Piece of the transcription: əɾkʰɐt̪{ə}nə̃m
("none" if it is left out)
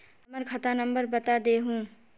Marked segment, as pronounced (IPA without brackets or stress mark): a